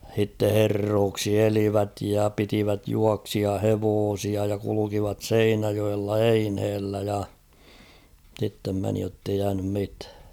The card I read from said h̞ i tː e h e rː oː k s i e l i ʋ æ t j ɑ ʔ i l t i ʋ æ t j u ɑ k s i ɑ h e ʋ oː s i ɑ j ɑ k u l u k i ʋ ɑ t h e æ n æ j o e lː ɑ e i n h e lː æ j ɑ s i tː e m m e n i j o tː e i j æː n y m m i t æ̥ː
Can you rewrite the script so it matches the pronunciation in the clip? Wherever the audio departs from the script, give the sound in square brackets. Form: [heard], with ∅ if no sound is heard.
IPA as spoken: h̞ i tː e h e rː oː k s i e l i ʋ æ t j ɑ [p] i [∅] t i ʋ æ t j u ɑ k s i ɑ h e ʋ oː s i ɑ j ɑ k u l u k i ʋ ɑ t [s] e [i] n æ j o e lː ɑ e i n h e lː æ j ɑ s i tː e m m e n i j o tː e i j æː n y m m i t æ̥ː